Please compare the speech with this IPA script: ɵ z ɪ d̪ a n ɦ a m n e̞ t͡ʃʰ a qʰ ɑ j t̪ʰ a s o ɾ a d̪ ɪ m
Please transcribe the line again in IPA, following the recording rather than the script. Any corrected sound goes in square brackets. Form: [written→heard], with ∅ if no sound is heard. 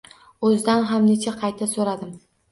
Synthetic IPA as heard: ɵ z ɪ d̪ a n ɦ a m n e̞ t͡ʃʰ a qʰ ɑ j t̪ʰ a s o ɾ a d̪ ɪ m